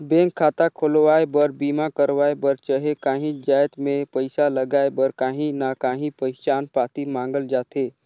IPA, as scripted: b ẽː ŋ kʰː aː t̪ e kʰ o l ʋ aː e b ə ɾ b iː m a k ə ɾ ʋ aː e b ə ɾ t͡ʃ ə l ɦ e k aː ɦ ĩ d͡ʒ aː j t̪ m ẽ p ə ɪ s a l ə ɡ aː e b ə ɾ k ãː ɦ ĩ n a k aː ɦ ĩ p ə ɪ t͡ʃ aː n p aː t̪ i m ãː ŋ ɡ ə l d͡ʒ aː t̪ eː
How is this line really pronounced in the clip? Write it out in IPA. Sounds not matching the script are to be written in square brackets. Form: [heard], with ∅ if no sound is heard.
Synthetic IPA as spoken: b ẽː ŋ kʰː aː t̪ [a] kʰ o l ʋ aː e b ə ɾ b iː m a k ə ɾ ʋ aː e b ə ɾ t͡ʃ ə [∅] ɦ e k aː ɦ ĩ d͡ʒ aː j t̪ m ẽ p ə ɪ s a l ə ɡ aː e b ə ɾ k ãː ɦ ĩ n a k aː ɦ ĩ p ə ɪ t͡ʃ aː n p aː t̪ i m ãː ŋ ɡ ə l d͡ʒ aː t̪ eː